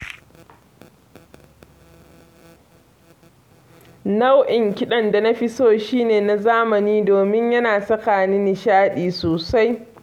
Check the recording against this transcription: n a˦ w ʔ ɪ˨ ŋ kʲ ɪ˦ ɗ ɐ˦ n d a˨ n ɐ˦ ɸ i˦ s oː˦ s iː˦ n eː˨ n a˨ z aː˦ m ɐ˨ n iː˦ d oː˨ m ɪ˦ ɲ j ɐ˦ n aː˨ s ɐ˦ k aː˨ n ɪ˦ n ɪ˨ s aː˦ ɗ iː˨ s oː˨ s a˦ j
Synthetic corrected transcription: n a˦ w ʔ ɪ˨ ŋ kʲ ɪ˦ ɗ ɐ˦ n d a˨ n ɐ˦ ɸ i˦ s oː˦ ʃ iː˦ n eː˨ n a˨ z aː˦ m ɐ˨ n iː˦ d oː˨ m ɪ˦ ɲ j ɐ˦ n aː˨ s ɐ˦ k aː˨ n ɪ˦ n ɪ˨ ʃ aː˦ ɗ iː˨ s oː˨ s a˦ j